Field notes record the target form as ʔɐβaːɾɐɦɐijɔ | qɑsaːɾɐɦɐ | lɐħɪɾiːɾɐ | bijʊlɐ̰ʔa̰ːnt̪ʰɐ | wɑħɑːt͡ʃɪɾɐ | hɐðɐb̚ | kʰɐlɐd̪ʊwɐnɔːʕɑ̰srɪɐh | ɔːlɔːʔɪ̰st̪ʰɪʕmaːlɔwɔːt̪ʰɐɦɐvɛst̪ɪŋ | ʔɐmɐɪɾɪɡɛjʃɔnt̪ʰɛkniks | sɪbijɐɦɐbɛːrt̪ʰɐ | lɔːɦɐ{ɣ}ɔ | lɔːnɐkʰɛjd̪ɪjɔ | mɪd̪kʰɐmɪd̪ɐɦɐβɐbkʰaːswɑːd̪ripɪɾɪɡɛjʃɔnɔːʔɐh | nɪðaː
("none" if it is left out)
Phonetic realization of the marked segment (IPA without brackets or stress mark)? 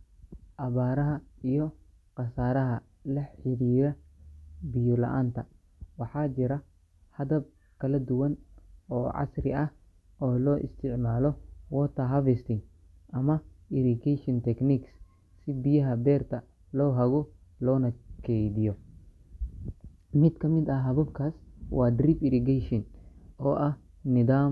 ɣ